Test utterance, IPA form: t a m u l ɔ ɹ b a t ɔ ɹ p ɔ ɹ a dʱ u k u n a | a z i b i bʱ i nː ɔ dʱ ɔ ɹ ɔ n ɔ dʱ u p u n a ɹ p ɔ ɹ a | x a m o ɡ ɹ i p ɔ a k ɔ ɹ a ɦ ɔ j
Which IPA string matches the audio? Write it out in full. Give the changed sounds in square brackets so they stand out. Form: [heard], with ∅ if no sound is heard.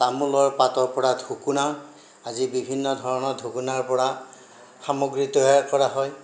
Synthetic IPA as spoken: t a m u l ɔ ɹ [p] a t ɔ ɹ p ɔ ɹ a dʱ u k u n a | a z i b i bʱ i nː ɔ dʱ ɔ ɹ ɔ n ɔ dʱ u [k] u n a ɹ p ɔ ɹ a | x a m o ɡ ɹ i [t] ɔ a k ɔ ɹ a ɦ ɔ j